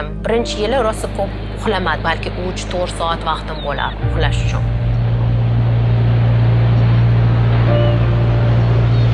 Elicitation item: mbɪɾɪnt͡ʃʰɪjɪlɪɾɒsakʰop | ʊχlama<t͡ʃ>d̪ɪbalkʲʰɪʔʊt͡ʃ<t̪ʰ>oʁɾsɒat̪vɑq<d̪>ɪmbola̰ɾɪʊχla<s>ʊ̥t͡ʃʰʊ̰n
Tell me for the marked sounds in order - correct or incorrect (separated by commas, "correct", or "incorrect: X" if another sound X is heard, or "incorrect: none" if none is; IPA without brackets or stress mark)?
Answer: incorrect: none, correct, incorrect: t̪, incorrect: ʃ